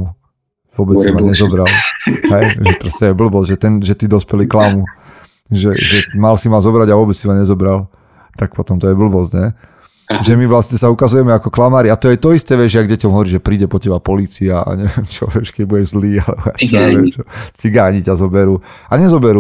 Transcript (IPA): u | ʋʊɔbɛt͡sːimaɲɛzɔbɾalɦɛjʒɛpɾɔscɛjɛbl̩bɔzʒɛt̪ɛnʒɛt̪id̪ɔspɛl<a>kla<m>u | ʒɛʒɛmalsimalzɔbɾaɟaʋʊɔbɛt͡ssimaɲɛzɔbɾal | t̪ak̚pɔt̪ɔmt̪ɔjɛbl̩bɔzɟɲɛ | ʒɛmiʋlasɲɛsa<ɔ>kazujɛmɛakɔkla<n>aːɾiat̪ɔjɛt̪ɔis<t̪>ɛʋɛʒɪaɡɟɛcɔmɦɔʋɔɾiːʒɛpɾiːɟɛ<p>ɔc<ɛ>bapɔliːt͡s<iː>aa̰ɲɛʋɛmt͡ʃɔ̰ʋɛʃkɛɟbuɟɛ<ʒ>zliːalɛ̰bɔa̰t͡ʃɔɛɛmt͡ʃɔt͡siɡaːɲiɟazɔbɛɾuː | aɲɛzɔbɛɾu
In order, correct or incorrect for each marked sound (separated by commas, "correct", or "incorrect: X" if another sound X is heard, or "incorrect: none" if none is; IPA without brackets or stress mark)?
incorrect: i, correct, incorrect: u, incorrect: m, correct, correct, correct, incorrect: i, correct